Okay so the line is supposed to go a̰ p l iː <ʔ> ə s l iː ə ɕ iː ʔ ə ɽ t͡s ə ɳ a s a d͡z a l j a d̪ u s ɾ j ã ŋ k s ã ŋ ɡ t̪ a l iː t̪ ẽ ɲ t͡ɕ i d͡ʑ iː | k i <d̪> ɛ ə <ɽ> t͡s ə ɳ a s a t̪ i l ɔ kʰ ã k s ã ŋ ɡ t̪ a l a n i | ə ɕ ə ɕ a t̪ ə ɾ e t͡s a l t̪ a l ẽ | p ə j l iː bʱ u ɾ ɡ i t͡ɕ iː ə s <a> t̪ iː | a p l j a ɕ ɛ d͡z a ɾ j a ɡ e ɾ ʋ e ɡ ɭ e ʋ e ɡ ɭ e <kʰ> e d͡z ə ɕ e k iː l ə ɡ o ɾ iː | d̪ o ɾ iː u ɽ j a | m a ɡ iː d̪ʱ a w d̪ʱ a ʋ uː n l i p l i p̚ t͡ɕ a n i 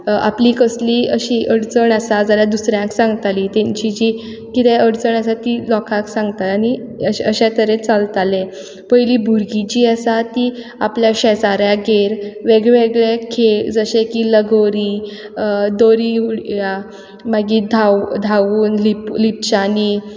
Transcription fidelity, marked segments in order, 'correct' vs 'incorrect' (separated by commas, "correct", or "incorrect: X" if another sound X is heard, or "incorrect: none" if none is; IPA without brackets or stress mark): incorrect: k, incorrect: t̪, correct, correct, correct